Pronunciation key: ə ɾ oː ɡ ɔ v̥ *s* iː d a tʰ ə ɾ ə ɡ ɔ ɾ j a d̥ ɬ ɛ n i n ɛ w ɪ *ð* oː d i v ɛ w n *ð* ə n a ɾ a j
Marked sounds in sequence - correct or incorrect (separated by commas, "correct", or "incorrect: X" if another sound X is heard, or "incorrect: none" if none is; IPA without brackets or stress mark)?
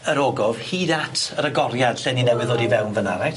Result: incorrect: h, correct, incorrect: v